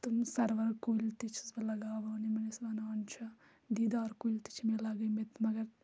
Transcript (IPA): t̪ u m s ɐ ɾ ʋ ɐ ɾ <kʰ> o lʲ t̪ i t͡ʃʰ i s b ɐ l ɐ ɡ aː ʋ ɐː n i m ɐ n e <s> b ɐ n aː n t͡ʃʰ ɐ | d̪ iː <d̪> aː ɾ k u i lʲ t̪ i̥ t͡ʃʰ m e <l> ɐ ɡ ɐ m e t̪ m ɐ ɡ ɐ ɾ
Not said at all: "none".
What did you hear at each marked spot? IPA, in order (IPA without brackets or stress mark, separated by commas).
k, s, d̪, l